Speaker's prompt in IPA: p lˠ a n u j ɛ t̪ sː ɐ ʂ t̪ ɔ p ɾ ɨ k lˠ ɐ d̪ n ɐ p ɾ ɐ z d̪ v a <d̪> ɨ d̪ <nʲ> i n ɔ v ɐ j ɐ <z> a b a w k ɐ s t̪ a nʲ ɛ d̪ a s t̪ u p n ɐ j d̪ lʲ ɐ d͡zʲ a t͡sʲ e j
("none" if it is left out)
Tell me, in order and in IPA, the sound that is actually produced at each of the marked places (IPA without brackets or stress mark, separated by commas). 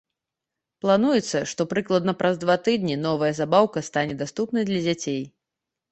t̪, nʲ, z